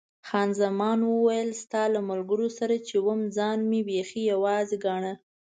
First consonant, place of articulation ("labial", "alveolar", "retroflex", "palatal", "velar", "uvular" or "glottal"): velar